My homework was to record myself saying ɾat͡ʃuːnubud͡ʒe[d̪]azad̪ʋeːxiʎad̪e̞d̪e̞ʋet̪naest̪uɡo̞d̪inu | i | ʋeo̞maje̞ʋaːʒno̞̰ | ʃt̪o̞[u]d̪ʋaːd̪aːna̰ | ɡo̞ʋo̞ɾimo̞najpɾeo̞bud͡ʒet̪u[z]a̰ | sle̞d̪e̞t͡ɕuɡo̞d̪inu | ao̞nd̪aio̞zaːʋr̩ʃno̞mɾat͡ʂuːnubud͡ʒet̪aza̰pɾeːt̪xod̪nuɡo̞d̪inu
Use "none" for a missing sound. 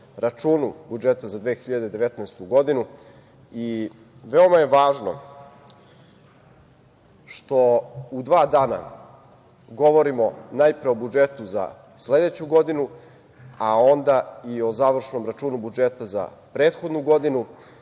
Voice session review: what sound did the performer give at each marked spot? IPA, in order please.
t̪, u, z

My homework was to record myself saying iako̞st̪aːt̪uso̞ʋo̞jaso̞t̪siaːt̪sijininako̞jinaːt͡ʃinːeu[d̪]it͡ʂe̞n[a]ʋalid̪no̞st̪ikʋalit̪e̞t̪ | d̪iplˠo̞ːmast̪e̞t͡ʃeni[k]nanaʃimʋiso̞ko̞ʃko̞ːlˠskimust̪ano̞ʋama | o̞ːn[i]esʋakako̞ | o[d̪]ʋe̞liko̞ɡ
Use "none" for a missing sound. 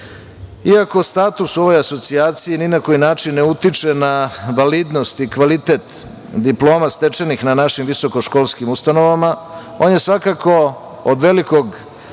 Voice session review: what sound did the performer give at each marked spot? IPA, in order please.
t̪, a, x, j, d̪

